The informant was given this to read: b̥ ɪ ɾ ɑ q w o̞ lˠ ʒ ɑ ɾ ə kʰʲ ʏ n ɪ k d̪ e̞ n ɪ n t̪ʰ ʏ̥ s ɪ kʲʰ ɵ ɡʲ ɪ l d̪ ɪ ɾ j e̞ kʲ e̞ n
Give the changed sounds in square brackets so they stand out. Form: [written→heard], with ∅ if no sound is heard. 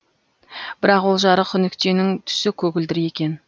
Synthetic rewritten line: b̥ ɪ ɾ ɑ q w o̞ lˠ ʒ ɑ ɾ ə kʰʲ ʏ n ɪ k [d̪→t̪] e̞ n ɪ [n→ŋ] t̪ʰ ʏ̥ s ɪ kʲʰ ɵ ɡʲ ɪ l d̪ ɪ ɾ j e̞ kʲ e̞ n

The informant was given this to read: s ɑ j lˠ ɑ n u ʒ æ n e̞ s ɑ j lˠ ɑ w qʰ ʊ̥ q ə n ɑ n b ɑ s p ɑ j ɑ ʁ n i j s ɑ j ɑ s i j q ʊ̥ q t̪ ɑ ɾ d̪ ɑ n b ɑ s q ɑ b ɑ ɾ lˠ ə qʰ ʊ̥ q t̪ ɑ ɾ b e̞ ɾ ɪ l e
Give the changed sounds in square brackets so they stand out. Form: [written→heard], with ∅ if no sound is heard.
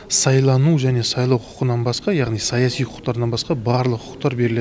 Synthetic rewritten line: s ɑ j lˠ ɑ n u ʒ æ n e̞ s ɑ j lˠ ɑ w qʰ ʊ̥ q ə n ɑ n b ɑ s [p→q] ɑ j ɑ ʁ n i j s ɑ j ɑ s i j [q→qʰ] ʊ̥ q t̪ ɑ ɾ d̪ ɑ n b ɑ s q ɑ b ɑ ɾ lˠ ə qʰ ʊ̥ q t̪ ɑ ɾ b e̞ ɾ ɪ l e

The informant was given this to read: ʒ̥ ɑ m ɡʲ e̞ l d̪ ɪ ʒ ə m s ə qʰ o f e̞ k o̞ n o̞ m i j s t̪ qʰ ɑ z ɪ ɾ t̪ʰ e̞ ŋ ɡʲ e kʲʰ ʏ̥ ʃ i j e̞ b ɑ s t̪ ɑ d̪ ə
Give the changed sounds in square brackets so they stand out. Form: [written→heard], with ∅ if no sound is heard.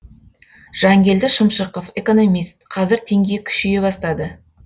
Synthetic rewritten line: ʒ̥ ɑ [m→ŋ] ɡʲ e̞ l d̪ ɪ [ʒ→ʃ] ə m [s→ʃ] ə [qʰ→q] o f e̞ k o̞ n o̞ m i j s t̪ qʰ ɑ z ɪ ɾ t̪ʰ e̞ ŋ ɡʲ e kʲʰ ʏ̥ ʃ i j e̞ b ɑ s t̪ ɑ d̪ ə

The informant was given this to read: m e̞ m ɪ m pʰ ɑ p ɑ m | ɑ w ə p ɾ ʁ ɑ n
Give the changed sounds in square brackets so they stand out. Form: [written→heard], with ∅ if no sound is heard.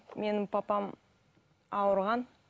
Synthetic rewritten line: m e̞ [m→n] ɪ m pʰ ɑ p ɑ m | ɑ w ə [p→∅] ɾ ʁ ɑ n

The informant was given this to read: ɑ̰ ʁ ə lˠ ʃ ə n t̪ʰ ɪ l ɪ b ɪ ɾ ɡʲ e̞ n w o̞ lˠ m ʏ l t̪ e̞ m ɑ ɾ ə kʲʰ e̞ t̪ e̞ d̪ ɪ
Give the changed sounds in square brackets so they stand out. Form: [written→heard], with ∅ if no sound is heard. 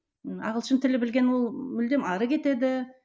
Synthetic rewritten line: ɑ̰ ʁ ə lˠ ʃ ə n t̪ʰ ɪ l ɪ b ɪ [ɾ→l] ɡʲ e̞ n w o̞ lˠ m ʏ l [t̪→d̪] e̞ m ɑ ɾ ə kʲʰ e̞ t̪ e̞ d̪ ɪ

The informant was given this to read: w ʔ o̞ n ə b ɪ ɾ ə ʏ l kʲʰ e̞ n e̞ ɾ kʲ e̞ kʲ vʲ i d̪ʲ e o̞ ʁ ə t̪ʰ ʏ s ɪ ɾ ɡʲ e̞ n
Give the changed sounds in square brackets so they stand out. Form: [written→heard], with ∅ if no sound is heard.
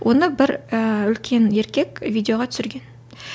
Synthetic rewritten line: w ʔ o̞ n ə b ɪ ɾ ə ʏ l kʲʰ e̞ n e̞ ɾ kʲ e̞ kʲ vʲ i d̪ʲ e o̞ ʁ [ə→ɑ] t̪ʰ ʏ s ɪ ɾ ɡʲ e̞ n

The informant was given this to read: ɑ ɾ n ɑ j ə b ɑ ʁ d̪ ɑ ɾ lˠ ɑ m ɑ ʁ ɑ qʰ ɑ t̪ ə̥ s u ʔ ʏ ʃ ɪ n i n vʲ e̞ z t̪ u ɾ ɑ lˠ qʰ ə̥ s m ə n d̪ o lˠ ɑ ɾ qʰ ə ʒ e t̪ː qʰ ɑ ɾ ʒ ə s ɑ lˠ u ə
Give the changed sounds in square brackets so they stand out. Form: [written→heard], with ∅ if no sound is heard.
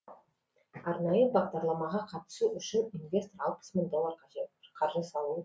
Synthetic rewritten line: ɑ ɾ n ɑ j ə b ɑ ʁ d̪ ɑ ɾ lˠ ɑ m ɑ ʁ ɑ qʰ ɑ t̪ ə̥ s u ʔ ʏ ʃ ɪ n i n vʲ e̞ [z→s] t̪ [u→o] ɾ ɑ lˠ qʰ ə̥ s m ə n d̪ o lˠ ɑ ɾ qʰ [ə→ɑ] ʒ e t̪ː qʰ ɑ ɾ ʒ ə s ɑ lˠ u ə

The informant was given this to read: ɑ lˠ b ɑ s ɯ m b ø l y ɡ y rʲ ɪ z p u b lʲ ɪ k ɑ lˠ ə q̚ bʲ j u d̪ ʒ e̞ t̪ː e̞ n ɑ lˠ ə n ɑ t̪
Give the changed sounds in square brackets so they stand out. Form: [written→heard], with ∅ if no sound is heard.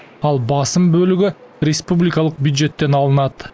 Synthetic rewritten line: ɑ lˠ b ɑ s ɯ m b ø l y ɡ y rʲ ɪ [z→s] p u b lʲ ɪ k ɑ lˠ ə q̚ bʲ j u d̪ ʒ e̞ t̪ː e̞ n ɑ lˠ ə n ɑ t̪

